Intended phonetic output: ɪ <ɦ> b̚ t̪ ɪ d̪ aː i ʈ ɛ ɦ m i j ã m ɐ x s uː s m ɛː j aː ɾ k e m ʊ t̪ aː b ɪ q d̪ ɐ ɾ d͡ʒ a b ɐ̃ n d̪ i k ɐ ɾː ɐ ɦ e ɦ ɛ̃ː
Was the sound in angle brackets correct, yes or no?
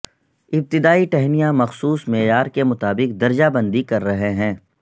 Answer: no